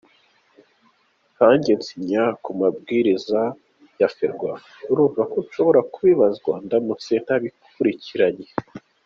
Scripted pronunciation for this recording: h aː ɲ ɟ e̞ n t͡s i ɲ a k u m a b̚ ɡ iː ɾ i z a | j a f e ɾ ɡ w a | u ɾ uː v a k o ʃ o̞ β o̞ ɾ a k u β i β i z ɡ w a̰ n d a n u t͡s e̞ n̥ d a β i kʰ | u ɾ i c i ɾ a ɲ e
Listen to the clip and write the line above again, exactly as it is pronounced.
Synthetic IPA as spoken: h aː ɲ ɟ e̞ n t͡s i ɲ a k u m a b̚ ɡ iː ɾ i z a | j a f e ɾ ɡ w a | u ɾ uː v a k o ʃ o̞ β o̞ ɾ a k u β i β a z ɡ w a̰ n d a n u t͡s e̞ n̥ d a β i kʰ | u ɾ i c i ɾ a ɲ e